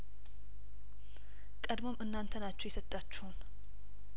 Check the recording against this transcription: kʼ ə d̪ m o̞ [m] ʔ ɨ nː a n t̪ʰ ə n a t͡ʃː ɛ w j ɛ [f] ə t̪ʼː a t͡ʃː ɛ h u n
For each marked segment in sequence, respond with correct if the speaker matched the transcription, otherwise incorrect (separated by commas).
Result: correct, incorrect